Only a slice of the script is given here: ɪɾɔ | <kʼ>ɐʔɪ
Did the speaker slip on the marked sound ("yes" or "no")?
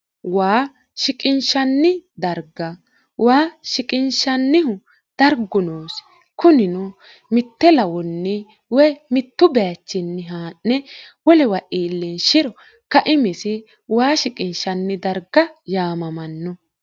yes